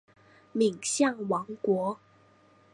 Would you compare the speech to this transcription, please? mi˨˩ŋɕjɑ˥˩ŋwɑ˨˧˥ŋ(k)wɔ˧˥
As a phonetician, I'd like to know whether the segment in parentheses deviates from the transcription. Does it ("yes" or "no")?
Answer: no